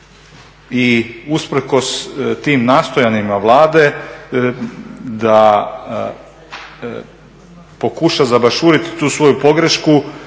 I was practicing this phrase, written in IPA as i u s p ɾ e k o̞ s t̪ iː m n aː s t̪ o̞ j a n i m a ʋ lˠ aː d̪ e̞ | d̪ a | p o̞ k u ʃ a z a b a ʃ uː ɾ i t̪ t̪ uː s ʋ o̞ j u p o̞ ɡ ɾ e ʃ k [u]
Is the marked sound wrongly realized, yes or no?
no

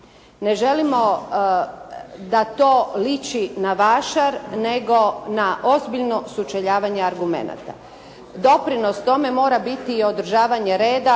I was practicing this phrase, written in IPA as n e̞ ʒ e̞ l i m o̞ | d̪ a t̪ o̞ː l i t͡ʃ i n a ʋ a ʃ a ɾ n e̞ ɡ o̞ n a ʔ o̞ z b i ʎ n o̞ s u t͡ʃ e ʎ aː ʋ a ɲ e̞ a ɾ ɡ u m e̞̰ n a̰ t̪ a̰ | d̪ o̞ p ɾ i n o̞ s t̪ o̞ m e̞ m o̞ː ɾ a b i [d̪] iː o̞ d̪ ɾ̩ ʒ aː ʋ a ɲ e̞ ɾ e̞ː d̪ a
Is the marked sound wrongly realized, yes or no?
yes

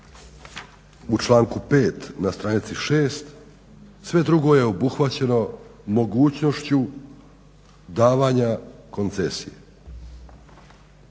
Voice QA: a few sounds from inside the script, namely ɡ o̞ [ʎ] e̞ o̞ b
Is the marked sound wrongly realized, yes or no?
yes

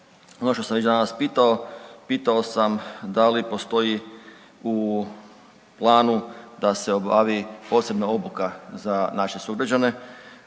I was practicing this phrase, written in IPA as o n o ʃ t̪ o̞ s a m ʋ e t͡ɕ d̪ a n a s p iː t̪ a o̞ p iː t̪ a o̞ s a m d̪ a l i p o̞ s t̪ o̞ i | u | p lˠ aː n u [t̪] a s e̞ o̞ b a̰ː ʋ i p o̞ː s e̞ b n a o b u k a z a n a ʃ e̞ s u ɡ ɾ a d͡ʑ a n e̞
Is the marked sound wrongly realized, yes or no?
yes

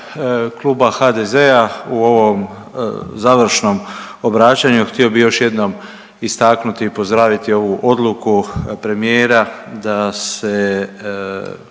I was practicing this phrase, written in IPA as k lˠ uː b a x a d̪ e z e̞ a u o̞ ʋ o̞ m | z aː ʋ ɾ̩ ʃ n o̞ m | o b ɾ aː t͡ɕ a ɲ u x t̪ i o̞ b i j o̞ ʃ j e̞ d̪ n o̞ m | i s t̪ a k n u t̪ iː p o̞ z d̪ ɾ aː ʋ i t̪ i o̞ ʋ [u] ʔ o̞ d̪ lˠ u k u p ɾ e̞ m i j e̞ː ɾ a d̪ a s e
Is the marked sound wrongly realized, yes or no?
no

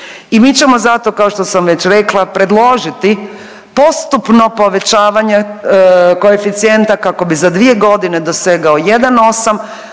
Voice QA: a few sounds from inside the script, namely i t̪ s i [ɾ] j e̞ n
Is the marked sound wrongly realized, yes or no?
yes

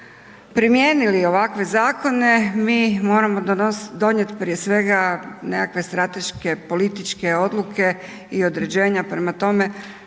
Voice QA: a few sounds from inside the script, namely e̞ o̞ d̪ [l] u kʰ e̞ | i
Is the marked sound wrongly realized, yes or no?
no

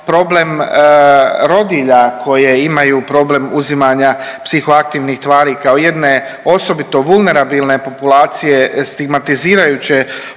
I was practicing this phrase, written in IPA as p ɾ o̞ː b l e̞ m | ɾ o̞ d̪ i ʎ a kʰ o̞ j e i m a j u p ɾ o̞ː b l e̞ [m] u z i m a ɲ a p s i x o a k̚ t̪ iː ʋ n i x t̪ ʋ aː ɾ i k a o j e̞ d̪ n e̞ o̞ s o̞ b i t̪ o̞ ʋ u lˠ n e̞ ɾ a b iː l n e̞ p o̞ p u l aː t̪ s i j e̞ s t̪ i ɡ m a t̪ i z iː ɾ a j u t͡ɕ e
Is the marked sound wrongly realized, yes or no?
no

